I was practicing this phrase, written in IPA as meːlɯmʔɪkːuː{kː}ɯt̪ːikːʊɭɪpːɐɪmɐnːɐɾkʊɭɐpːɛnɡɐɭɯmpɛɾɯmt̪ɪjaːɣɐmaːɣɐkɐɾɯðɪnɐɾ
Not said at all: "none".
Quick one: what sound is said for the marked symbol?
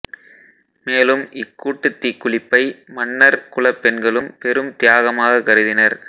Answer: ʈː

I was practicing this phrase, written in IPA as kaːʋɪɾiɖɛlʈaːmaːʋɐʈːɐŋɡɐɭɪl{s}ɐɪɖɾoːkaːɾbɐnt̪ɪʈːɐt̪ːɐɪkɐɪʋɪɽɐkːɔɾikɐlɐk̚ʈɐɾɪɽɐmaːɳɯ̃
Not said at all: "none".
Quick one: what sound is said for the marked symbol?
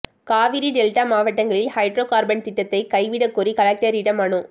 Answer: h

